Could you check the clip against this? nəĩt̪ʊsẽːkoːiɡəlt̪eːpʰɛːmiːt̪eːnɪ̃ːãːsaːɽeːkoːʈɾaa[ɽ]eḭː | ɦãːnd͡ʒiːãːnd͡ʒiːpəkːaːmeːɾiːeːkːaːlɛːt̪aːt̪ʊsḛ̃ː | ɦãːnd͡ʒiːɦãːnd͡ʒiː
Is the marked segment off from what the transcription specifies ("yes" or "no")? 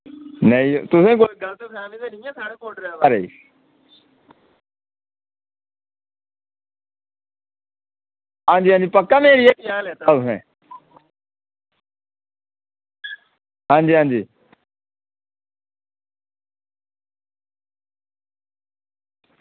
yes